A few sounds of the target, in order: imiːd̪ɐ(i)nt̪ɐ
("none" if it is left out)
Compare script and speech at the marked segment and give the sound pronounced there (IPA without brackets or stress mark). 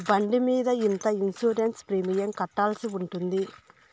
i